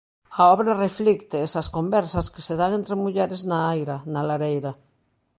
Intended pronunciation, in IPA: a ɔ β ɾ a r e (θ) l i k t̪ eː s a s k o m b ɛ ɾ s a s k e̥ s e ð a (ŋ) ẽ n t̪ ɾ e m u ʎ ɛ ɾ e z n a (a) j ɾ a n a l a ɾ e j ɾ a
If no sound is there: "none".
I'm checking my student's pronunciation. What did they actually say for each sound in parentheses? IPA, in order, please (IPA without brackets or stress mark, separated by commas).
f, ŋ, a